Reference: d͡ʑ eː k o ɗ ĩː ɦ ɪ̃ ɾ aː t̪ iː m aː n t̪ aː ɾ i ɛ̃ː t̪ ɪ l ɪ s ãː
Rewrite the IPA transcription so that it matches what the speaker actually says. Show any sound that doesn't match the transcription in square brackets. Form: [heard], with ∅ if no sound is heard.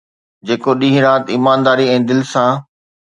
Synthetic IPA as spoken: d͡ʑ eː k o ɗ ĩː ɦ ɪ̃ ɾ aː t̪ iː m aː n [d̪] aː ɾ i ɛ̃ː [d̪] ɪ l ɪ s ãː